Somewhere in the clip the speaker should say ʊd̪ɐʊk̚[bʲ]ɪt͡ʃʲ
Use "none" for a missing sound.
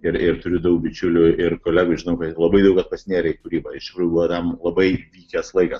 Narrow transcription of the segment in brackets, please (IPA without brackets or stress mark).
bʲ